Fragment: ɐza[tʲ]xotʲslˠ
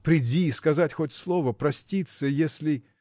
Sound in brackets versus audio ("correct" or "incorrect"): correct